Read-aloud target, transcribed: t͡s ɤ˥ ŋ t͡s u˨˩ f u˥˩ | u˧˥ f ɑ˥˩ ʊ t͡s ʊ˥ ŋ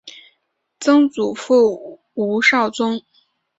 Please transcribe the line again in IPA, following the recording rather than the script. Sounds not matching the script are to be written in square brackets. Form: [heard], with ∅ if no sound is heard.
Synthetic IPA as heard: t͡s ɤ˥ ŋ t͡s u˨˩ f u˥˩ | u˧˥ [ʂ] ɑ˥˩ ʊ t͡s ʊ˥ ŋ